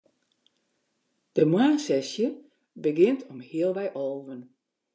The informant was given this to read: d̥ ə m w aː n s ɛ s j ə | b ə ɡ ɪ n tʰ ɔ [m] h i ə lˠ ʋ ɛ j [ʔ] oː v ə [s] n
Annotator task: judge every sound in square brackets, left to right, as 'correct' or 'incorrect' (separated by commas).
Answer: correct, correct, incorrect